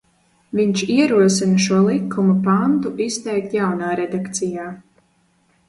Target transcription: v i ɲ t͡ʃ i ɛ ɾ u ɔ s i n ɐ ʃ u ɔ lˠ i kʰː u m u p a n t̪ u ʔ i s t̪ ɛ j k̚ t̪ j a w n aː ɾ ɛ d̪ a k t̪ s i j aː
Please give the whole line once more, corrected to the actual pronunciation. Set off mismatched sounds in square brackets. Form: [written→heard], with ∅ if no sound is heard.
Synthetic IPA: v i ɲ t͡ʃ i ɛ ɾ u ɔ s i n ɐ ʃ u ɔ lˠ i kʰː u m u p a n t̪ u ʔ i s t̪ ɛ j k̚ t̪ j a w n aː ɾ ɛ d̪ a k t̪ s i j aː

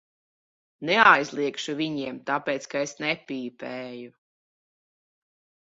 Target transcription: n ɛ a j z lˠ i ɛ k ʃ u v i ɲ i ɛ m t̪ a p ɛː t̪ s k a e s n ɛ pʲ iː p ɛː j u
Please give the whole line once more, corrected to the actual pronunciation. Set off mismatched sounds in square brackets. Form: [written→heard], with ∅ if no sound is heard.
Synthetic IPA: n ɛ a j z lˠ i ɛ k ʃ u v i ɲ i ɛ m t̪ a p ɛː t̪ s k a e s n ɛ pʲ iː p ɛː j u

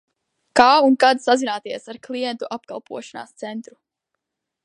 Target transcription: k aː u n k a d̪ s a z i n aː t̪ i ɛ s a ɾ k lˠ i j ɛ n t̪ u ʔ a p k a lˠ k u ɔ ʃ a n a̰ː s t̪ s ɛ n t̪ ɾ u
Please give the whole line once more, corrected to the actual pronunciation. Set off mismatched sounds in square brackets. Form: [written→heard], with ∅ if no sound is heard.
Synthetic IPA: k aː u n k a d̪ s a z i n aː t̪ i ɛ s a ɾ k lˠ i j ɛ n t̪ u ʔ a p k a lˠ [k→p] u ɔ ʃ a n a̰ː s t̪ s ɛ n t̪ ɾ u

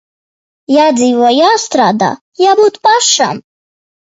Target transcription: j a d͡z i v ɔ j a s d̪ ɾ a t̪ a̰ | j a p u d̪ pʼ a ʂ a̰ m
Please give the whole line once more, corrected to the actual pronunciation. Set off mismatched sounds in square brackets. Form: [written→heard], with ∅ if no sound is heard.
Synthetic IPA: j a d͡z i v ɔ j a s [d̪→t̪] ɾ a [t̪→d̪] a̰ | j a [p→b] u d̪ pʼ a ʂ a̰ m

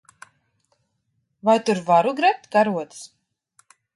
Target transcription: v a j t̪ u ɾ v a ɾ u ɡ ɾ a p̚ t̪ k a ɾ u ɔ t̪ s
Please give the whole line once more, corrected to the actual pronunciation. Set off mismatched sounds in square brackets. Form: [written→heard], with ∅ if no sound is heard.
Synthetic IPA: v a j t̪ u ɾ v a ɾ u ɡ ɾ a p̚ t̪ k a ɾ u ɔ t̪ s

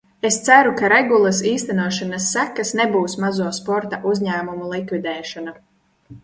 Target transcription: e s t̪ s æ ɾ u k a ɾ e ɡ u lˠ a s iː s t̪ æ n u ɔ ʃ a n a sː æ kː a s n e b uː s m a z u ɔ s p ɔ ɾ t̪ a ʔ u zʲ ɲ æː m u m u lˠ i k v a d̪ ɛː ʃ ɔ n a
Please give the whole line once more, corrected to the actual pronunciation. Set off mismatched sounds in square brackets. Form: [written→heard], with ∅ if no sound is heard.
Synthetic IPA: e s t̪ s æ ɾ u k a ɾ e ɡ u lˠ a s iː s t̪ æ n u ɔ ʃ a n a sː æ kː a s n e b uː s m a z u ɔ s p ɔ ɾ t̪ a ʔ u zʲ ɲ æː m u m u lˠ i k v [a→i] d̪ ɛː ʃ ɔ n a

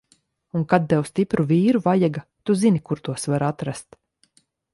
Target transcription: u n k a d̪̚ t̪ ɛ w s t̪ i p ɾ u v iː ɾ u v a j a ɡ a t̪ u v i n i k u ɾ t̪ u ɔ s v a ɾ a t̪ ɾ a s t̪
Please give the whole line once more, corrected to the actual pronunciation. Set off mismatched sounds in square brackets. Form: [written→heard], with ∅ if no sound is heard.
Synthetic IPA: u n k a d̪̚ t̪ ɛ w s t̪ i p ɾ u v iː ɾ u v a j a ɡ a t̪ u [v→z] i n i k u ɾ t̪ u ɔ s v a ɾ a t̪ ɾ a s t̪

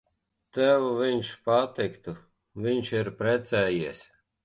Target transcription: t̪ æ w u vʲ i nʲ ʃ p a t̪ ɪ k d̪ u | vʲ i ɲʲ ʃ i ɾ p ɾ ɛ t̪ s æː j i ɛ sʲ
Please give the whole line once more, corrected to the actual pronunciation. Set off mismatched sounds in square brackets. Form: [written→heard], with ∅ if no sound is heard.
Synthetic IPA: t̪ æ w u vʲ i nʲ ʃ p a t̪ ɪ k [d̪→t̪] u | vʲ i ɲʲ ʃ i ɾ p ɾ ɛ t̪ s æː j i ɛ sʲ

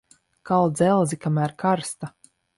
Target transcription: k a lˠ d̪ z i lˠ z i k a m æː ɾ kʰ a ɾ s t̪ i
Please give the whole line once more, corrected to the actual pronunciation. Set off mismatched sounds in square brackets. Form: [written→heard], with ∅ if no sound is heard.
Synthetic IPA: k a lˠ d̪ z [i→ɛ] lˠ z i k a m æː ɾ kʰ a ɾ s t̪ [i→a]

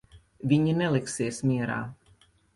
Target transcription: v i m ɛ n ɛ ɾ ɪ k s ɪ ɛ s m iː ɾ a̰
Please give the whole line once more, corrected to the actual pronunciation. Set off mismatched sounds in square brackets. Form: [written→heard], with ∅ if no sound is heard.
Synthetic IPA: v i [m→ɲ] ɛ n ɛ [ɾ→l] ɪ k s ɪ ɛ s m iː ɾ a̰

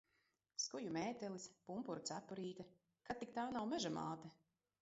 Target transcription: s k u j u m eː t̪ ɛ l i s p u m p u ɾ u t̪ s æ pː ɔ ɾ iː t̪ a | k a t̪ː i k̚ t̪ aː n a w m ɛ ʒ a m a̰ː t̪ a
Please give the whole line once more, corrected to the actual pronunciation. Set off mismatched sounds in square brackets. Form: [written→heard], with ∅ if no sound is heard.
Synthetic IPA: s k u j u m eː t̪ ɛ l i s p u m p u ɾ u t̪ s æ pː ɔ ɾ iː t̪ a | k a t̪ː i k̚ t̪ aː n a w m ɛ ʒ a m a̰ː t̪ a

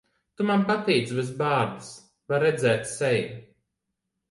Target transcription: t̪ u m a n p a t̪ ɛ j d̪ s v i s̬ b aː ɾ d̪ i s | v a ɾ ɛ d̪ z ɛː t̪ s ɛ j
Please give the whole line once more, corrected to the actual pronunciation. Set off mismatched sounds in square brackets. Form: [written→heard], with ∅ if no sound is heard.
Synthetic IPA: t̪ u m a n p a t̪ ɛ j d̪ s v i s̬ b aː ɾ d̪ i s | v a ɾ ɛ d̪ z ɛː t̪ s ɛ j

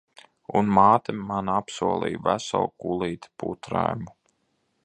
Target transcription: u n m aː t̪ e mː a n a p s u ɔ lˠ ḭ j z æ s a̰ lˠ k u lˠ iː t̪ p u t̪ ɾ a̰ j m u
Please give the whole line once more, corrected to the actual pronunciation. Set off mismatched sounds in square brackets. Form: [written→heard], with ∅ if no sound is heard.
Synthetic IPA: u n m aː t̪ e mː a n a p s u ɔ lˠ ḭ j [z→v] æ s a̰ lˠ k u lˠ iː t̪ p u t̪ ɾ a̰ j m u

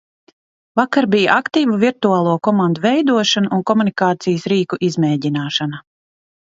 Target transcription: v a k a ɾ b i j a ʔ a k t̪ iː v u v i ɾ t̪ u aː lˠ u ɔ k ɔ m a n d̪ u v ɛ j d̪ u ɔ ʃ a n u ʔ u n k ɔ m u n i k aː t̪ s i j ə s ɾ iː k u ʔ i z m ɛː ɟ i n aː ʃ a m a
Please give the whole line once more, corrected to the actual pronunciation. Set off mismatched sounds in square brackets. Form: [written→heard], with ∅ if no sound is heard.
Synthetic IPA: v a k a ɾ b i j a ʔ a k t̪ iː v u v i ɾ t̪ u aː lˠ u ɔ k ɔ m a n d̪ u v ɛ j d̪ u ɔ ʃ a n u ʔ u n k ɔ m u n i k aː t̪ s i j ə s ɾ iː k u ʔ i z m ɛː ɟ i n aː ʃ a [m→n] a

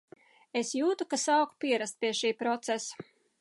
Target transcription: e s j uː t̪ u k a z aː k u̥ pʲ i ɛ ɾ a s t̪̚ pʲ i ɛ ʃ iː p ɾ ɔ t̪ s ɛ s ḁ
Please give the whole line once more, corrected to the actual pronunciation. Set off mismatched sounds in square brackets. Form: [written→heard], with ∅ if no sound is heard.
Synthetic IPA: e s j uː t̪ u k a [z→s] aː k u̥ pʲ i ɛ ɾ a s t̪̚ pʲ i ɛ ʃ iː p ɾ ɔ t̪ s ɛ s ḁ

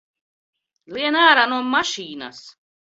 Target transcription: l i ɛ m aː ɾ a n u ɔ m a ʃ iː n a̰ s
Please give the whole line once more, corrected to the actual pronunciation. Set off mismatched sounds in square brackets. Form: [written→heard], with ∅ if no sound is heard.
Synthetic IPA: l i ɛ [m→n] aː ɾ a n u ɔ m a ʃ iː n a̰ s

